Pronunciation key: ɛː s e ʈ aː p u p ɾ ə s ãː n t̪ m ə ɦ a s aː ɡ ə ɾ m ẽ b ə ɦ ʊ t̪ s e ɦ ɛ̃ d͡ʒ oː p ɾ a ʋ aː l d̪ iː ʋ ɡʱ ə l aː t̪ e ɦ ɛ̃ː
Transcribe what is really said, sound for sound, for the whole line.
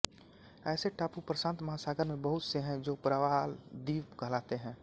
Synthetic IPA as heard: ɛː s e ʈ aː p u p ɾ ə s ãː n t̪ m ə ɦ a s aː ɡ ə ɾ m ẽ b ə ɦ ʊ t̪ s e ɦ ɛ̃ d͡ʒ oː p ɾ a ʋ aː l d̪ iː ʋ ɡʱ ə l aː t̪ e ɦ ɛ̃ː